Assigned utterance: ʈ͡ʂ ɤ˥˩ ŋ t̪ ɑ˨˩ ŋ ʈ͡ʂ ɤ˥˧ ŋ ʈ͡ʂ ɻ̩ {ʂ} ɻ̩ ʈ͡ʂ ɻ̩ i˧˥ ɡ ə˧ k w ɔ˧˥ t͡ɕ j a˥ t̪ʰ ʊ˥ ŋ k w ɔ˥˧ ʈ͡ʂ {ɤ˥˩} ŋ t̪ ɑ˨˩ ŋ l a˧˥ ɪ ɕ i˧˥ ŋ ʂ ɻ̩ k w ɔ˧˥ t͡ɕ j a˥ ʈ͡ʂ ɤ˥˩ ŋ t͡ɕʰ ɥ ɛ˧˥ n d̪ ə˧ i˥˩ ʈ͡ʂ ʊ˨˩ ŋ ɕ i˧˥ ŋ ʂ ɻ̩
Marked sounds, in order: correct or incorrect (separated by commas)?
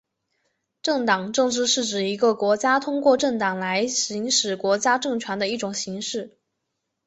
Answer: correct, correct